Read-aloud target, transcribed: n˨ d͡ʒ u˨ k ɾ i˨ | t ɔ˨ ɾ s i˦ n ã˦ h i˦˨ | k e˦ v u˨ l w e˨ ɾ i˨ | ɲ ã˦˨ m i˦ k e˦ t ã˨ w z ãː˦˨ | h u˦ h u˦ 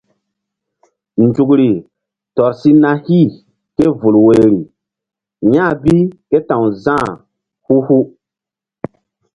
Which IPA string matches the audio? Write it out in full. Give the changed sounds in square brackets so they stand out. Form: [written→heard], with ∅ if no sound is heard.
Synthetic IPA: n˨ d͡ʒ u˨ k ɾ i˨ | t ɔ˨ ɾ s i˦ n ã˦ h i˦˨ | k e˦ v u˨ l w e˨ ɾ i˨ | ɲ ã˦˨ [m→b] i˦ k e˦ t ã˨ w z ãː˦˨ | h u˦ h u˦